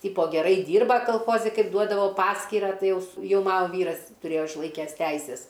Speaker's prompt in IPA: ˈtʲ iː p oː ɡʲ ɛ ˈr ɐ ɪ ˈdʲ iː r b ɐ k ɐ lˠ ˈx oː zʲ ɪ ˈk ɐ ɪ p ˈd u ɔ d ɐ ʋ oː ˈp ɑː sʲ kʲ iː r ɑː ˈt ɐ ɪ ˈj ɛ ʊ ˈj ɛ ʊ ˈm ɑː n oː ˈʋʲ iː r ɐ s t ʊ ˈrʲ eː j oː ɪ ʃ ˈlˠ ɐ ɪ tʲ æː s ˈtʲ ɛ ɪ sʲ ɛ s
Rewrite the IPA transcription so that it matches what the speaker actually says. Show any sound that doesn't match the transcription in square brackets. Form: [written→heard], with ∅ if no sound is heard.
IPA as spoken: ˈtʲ iː p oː ɡʲ ɛ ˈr ɐ ɪ ˈdʲ iː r b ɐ k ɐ lˠ ˈx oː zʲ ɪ ˈk ɐ ɪ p ˈd u ɔ d ɐ ʋ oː ˈp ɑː sʲ kʲ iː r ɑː ˈt ɐ ɪ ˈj ɛ ʊ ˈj ɛ ʊ ˈm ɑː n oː ˈʋʲ iː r ɐ s t ʊ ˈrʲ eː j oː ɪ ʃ ˈlˠ ɐ ɪ [tʲ→kʲ] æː s ˈtʲ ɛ ɪ sʲ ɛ s